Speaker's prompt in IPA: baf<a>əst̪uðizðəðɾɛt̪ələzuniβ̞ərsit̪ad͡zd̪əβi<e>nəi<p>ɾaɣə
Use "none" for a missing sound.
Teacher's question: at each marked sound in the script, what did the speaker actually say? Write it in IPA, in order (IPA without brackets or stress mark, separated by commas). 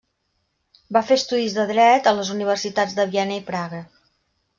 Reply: e, ɛ, p